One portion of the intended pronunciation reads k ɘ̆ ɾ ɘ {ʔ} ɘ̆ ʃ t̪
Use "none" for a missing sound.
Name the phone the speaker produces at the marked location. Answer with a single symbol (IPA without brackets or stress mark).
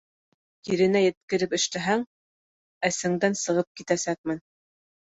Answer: p